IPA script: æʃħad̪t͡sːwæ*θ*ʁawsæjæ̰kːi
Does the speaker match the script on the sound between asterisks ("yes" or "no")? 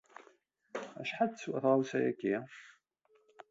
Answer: yes